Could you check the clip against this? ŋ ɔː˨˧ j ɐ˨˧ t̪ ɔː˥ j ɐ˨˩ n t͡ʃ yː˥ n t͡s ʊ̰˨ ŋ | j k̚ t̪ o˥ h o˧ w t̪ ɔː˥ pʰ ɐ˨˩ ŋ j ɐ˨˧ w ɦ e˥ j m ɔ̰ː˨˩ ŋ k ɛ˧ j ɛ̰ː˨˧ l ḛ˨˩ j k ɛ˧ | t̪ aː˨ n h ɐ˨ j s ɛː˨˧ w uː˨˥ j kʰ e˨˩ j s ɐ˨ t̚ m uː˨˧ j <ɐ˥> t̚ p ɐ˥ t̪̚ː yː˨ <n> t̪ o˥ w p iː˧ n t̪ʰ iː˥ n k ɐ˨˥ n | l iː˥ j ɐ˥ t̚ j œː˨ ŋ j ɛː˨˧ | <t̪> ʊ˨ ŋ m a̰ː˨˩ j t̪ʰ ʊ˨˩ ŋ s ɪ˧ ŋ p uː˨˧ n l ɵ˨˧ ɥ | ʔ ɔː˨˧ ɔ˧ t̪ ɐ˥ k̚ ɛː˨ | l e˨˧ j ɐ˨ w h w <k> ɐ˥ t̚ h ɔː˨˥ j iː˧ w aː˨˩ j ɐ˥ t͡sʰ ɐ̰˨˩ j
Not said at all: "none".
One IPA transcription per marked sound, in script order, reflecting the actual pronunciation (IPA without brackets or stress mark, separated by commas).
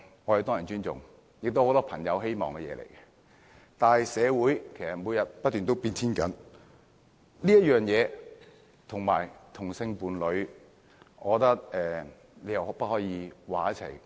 ɐ˨, n, t̪ʰ, p